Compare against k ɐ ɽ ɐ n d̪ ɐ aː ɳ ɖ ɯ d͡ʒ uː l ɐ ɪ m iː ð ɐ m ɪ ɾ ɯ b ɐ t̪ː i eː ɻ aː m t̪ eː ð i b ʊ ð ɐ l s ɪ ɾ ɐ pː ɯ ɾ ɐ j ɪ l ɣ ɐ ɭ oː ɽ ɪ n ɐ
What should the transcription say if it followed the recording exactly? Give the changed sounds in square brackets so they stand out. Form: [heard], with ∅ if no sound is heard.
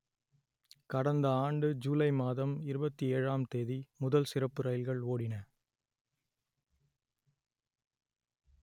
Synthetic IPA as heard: k ɐ ɽ ɐ n d̪ ɐ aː ɳ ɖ ɯ d͡ʒ uː l ɐ ɪ m [aː] ð ɐ m ɪ ɾ ɯ b ɐ t̪ː i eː ɻ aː m t̪ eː ð i [m] ʊ ð ɐ l s ɪ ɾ ɐ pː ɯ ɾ ɐ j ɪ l ɣ ɐ ɭ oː ɽ ɪ n ɐ